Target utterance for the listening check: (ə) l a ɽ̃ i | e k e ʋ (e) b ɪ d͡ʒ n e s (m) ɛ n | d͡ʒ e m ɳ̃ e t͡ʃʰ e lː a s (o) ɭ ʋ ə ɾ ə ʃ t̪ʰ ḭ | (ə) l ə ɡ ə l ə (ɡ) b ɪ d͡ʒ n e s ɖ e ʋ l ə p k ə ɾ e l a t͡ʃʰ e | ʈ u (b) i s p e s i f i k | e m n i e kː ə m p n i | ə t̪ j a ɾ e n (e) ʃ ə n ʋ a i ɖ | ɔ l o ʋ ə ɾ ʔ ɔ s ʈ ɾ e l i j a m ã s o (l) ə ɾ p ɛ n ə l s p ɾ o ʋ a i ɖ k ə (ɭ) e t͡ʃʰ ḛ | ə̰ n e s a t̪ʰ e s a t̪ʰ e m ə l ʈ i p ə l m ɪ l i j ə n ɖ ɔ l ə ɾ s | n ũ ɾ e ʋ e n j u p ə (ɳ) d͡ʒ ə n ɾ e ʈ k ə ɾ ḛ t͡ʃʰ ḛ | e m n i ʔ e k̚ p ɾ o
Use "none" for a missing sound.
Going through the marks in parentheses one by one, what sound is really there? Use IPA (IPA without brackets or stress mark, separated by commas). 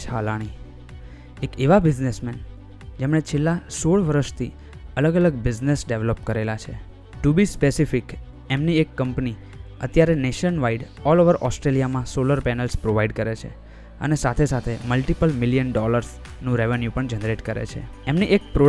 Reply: a, a, m, o, ə, ɡ, b, e, l, ɾ, ɳ